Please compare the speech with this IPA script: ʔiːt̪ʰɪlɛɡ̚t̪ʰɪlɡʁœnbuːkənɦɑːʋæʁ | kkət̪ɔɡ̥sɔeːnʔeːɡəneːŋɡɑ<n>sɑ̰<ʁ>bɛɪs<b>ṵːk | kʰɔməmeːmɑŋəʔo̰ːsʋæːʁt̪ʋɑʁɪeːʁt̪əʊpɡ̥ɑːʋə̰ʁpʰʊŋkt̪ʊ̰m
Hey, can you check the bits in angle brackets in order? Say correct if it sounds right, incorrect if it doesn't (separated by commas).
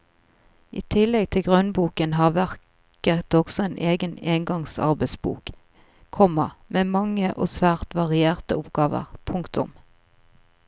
incorrect, correct, correct